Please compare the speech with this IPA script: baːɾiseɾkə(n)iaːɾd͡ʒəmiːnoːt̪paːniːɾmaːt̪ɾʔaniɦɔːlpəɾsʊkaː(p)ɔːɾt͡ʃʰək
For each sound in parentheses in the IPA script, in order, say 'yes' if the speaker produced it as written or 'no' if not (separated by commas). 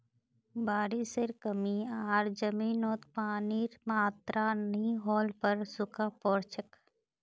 no, yes